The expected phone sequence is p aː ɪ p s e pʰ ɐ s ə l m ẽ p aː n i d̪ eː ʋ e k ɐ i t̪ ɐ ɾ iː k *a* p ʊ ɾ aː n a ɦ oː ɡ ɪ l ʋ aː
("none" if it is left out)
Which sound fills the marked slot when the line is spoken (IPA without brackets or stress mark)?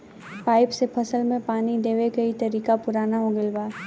a